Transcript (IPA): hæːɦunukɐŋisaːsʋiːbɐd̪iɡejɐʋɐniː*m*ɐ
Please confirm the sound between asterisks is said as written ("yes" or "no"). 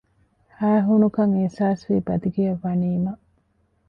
yes